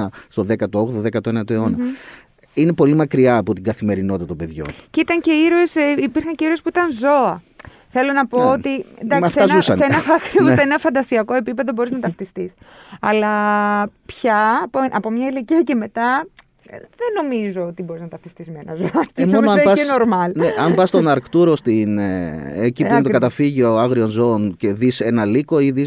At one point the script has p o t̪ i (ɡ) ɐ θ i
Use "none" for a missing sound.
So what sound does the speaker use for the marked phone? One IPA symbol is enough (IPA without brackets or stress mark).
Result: ɡ